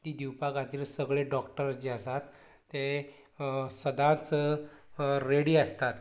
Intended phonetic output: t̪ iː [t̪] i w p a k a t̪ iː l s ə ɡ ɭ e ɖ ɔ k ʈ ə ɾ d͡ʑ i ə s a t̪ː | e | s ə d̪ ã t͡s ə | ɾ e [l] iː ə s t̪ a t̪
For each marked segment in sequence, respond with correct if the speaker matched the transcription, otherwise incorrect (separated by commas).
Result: incorrect, incorrect